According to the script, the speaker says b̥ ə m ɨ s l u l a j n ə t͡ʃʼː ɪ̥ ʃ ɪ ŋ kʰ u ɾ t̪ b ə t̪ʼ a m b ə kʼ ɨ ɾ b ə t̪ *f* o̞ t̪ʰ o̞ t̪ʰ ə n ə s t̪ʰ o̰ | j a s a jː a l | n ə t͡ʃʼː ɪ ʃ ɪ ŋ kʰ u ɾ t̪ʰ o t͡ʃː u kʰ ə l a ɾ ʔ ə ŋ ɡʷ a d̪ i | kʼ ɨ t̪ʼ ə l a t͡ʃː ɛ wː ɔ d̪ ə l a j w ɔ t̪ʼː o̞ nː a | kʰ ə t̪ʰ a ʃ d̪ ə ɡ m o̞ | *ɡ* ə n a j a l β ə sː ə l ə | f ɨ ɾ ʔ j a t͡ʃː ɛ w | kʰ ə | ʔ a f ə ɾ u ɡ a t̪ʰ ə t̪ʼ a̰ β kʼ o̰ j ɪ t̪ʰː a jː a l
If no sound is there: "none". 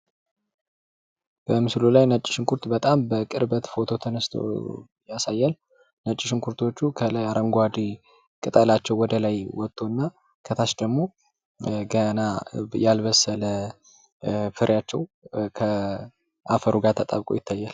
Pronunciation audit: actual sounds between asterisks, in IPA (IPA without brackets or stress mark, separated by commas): f, ɡ